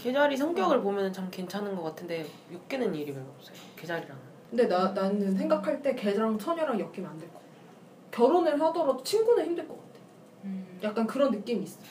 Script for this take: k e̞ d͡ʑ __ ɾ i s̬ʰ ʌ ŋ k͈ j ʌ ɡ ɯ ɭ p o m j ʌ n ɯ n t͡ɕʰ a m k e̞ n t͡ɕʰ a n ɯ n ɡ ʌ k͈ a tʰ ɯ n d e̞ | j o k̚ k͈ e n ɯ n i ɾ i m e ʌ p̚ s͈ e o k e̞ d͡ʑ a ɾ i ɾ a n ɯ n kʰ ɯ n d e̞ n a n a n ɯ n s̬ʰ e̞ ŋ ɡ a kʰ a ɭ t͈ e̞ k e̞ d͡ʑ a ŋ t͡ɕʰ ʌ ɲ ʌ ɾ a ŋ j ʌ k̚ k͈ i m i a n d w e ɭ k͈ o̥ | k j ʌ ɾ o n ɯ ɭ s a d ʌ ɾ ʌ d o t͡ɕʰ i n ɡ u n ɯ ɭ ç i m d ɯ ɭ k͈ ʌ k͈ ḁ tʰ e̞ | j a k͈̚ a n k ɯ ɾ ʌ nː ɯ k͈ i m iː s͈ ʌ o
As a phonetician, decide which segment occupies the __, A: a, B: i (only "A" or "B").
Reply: A